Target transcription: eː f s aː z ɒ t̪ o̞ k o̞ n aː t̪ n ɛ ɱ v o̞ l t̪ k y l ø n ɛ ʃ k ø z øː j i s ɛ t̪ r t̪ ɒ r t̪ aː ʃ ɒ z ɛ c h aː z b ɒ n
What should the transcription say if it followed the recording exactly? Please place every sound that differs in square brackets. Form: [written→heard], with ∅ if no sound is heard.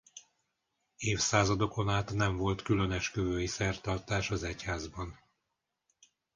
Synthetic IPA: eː f s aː z ɒ [t̪→d̪] o̞ k o̞ n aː t̪ n ɛ ɱ v o̞ l t̪ k y l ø n ɛ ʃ k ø [z→v] øː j i s ɛ [t̪→∅] r t̪ ɒ r t̪ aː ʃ ɒ z ɛ c h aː z b ɒ n